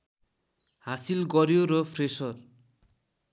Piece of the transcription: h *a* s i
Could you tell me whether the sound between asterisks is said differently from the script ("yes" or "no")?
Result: no